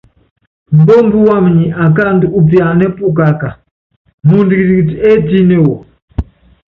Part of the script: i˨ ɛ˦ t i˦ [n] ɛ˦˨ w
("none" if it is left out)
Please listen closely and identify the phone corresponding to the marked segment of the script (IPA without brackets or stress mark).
n